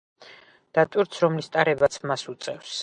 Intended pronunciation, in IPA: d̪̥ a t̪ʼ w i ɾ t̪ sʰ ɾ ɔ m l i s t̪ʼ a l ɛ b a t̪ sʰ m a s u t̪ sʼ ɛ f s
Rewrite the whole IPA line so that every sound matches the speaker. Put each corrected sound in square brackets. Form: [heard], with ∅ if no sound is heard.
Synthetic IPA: d̪̥ a t̪ʼ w i ɾ t̪ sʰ ɾ ɔ m l i s t̪ʼ a [ɾ] ɛ b a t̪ sʰ m a s u t̪ sʼ ɛ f s